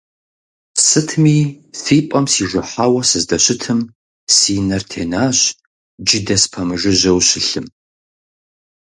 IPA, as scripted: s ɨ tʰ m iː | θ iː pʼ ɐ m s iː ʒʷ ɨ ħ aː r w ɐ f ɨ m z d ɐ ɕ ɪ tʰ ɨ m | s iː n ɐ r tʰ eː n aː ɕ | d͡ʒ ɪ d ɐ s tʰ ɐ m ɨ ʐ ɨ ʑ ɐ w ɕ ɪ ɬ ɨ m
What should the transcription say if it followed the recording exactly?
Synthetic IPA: s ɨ tʰ m iː | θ iː pʼ ɐ m s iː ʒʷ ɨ ħ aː w ɐ s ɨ z d ɐ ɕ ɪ tʰ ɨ m | s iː n ɐ r tʰ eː n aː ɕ | d͡ʒ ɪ d ɐ s pʰ ɐ m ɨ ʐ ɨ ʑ ɐ w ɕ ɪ ɬ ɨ m

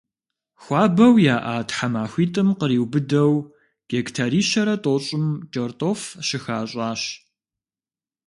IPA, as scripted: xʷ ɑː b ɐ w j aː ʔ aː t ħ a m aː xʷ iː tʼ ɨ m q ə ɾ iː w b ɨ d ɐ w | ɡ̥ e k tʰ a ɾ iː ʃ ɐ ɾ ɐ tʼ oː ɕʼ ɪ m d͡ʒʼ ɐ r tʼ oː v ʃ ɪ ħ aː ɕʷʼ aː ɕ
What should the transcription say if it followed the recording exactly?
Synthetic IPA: xʷ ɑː b ɐ w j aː ʔ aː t ħ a m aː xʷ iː tʼ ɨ m q ə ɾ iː w b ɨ d ɐ w | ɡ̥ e k tʰ a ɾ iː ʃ ɐ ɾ ɐ tʼ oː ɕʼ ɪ m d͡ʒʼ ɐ r tʼ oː f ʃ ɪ x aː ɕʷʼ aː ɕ

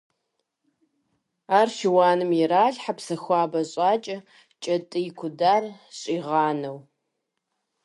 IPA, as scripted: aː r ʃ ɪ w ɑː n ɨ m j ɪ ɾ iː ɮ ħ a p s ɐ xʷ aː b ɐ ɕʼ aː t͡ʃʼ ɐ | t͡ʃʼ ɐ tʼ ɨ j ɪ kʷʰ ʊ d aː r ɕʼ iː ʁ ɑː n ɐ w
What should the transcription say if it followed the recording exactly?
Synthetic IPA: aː r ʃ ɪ w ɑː n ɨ m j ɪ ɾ aː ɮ ħ a p s ɐ xʷ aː b ɐ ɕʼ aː t͡ʃʼ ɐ | t͡ʃʼ ɐ tʼ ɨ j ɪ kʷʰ ʊ d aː r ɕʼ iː ʁ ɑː n ɐ w

